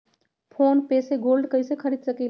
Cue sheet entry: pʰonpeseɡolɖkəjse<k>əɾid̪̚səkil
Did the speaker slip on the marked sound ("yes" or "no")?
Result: yes